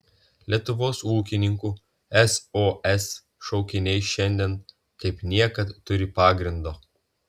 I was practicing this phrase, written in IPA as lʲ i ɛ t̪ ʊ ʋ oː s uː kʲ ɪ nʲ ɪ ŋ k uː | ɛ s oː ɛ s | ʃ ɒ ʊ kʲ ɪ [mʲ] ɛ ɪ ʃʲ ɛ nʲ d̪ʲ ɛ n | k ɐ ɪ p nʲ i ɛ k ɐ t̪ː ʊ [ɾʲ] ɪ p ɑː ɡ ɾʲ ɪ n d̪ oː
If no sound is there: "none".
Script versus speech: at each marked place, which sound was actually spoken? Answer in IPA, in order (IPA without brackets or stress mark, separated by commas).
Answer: nʲ, ɾʲ